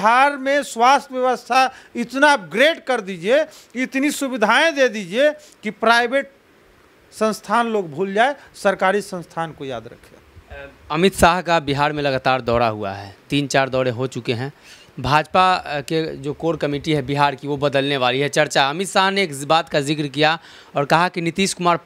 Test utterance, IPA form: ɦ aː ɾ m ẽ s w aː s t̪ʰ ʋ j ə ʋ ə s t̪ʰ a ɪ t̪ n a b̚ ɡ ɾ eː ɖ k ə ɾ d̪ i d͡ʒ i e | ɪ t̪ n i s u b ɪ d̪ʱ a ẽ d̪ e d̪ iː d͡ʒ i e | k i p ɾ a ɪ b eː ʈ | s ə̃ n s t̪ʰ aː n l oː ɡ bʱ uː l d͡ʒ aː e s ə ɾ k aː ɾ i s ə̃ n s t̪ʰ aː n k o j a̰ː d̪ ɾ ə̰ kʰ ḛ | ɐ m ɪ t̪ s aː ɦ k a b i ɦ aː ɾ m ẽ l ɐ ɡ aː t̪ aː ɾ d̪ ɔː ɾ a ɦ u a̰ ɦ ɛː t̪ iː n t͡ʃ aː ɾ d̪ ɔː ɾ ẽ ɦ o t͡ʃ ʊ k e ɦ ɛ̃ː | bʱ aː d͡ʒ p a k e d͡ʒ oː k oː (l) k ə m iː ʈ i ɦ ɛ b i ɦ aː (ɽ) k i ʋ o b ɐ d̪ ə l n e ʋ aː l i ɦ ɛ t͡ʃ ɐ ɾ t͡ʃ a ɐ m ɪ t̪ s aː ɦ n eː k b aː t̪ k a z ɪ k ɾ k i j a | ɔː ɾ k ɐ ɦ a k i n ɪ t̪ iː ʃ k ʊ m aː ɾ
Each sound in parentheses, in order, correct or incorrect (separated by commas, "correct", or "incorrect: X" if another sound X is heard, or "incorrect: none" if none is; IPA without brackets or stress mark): incorrect: ɾ, incorrect: ɾ